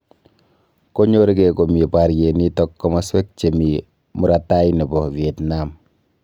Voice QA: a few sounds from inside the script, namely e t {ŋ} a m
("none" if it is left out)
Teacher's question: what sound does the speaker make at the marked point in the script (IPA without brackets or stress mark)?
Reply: n